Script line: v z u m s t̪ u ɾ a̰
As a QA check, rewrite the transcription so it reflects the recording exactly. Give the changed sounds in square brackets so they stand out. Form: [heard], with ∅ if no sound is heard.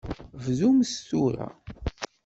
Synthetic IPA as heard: v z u m s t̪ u ɾ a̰